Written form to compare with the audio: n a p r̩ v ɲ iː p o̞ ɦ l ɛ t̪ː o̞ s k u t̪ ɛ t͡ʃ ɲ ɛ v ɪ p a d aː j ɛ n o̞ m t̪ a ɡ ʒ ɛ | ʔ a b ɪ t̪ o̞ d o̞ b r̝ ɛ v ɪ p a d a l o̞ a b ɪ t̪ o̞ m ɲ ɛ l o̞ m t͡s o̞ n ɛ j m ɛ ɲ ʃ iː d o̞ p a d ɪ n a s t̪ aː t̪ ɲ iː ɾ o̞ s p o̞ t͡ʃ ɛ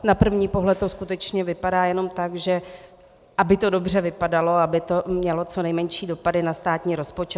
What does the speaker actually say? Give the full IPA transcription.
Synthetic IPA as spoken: n a p r̩ v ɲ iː p o̞ ɦ l ɛ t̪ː o̞ s k u t̪ ɛ t͡ʃ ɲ ɛ v ɪ p a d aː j ɛ n o̞ m t̪ a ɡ ʒ ɛ | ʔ a b ɪ t̪ o̞ d o̞ b r̝ ɛ v ɪ p a d a l o̞ a b ɪ t̪ o̞ m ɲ ɛ l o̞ t͡s o̞ n ɛ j m ɛ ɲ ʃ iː d o̞ p a d ɪ n a s t̪ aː t̪ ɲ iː ɾ o̞ s p o̞ t͡ʃ ɛ